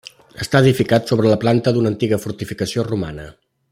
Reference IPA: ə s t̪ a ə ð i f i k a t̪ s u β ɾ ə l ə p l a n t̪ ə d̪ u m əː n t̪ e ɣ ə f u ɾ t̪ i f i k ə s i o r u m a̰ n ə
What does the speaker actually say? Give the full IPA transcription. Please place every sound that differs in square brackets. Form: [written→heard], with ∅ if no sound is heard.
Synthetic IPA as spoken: ə s t̪ a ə ð i f i k a t̪ s [u→o] β ɾ ə l ə p l a n t̪ ə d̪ u [m→n] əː n t̪ [e→i] ɣ ə f u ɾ t̪ i f i k ə s i o r u m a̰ n ə

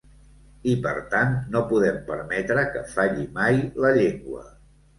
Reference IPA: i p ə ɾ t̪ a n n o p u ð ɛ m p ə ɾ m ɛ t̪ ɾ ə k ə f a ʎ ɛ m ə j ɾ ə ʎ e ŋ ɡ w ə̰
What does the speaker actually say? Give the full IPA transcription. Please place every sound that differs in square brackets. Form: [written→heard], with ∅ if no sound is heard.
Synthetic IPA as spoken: i p ə ɾ t̪ a n n o p u ð ɛ m p ə ɾ m ɛ t̪ ɾ ə k ə f a ʎ [ɛ→i] m [ə→a] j [ɾ→l] ə ʎ e ŋ ɡ w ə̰

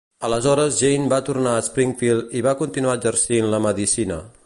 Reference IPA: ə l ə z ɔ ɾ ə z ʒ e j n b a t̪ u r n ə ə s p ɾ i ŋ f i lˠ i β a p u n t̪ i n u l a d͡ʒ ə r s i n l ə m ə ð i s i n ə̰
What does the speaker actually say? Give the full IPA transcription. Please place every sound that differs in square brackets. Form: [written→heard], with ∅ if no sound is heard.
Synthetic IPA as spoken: ə l ə z ɔ ɾ ə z ʒ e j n b a t̪ u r n [ə→a] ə s p ɾ i ŋ f i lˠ i β a [p→k] u n t̪ i n u [l→∅] a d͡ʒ ə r s i n l ə m ə ð i s i n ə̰

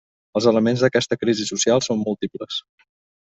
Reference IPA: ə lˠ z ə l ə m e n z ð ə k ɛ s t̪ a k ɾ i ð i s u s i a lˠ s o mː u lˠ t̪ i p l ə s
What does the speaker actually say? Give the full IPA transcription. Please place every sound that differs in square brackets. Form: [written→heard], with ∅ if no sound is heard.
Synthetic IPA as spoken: ə lˠ z ə l ə m e n z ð ə k ɛ s t̪ [a→ə] k ɾ i [ð→z] i s u s i a lˠ s o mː u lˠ t̪ i p l ə s

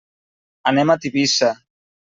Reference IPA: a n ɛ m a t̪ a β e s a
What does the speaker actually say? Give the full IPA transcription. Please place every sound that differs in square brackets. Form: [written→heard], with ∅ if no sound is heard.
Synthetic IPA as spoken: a n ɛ m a t̪ [a→i] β [e→i] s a

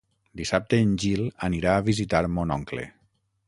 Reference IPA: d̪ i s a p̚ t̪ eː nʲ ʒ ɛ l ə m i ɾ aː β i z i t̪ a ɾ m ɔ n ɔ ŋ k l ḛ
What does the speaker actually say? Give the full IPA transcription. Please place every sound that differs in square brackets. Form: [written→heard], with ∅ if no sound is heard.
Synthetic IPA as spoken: d̪ i s a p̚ t̪ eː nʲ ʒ [ɛ→i] l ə [m→n] i ɾ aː β i z i t̪ a ɾ m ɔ n ɔ ŋ k l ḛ

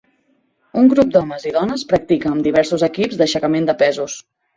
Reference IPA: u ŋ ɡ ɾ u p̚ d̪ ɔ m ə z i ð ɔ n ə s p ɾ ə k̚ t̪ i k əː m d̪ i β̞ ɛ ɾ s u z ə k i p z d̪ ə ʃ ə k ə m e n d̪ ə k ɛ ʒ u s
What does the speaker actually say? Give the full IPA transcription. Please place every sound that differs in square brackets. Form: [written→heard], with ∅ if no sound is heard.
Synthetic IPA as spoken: u ŋ ɡ ɾ u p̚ d̪ ɔ m ə z i ð ɔ n ə s p ɾ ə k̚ t̪ i k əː m d̪ i β̞ ɛ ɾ s u z ə k i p z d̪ ə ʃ ə k ə m e n d̪ ə [k→p] ɛ [ʒ→z] u s

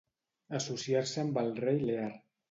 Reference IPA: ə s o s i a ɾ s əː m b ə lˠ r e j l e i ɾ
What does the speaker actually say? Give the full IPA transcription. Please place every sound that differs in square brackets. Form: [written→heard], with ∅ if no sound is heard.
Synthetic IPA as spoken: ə s [o→u] s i a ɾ s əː m b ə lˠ r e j l e [i→a] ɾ

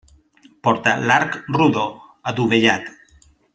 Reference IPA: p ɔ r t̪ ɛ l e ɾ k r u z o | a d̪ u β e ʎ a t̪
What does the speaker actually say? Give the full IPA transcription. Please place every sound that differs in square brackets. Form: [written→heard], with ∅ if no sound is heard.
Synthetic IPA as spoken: p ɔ [r→ɾ] t̪ [ɛ→a] l [e→a] ɾ k r u [z→ð] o | a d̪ u β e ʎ a t̪

